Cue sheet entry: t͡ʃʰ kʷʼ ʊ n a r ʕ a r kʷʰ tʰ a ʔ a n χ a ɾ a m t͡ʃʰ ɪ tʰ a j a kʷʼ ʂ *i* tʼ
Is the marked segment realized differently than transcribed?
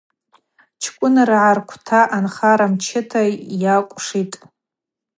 no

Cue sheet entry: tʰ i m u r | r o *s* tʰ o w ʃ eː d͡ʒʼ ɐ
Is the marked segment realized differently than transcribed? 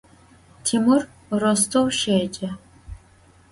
no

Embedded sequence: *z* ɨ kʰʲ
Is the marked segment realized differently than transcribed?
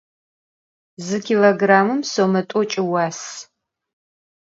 no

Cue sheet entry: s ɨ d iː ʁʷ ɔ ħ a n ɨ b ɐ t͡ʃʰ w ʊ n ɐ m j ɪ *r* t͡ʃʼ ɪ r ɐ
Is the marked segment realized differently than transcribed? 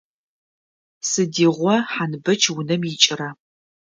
yes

